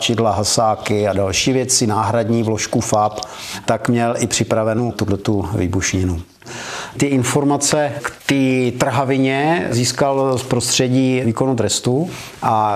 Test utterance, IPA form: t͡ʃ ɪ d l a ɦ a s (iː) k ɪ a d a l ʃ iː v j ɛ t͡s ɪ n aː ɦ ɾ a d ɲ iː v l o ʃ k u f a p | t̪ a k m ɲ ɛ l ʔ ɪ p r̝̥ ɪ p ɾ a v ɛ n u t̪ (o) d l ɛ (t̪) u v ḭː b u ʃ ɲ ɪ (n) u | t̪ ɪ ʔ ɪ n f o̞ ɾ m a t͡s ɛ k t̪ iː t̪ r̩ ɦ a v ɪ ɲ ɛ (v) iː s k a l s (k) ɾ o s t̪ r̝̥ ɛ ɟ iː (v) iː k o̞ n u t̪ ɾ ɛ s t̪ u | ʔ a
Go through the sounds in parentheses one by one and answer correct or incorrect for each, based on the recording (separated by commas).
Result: incorrect, incorrect, correct, correct, incorrect, incorrect, correct